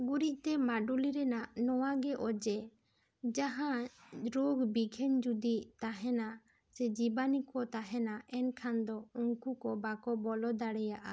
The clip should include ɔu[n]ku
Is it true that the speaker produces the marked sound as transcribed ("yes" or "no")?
no